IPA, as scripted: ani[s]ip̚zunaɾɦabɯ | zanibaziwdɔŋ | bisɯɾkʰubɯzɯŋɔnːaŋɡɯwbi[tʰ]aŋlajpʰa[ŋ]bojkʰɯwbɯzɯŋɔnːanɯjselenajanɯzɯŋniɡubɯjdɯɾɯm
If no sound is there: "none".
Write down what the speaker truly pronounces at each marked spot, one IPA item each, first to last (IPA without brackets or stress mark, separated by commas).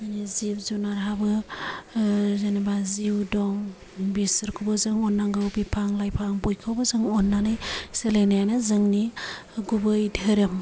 z, pʰ, ŋ